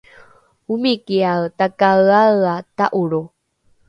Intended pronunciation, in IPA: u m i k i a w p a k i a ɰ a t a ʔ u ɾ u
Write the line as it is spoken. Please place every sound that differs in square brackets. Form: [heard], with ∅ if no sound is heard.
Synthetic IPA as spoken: u m i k i a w [t] a k [a] a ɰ a t a ʔ u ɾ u